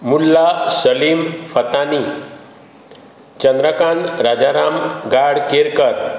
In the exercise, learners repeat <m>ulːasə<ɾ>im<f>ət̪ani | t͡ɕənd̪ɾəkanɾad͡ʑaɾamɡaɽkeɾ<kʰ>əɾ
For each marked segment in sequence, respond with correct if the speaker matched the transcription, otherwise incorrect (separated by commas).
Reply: correct, incorrect, correct, incorrect